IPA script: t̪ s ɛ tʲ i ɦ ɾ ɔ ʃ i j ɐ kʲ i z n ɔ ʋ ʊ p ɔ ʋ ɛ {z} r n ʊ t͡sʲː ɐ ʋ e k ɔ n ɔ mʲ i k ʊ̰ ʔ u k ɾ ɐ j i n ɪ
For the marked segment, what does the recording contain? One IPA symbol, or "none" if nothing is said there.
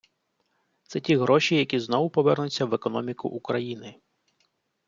none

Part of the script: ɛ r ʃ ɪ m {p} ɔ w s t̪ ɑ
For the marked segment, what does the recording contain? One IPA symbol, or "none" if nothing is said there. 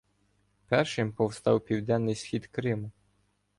p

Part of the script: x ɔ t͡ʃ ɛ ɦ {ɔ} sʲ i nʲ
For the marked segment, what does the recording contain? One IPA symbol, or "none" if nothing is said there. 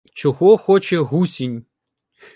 u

